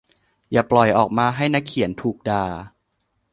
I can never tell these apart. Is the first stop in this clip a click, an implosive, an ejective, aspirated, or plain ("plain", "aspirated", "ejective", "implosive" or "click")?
plain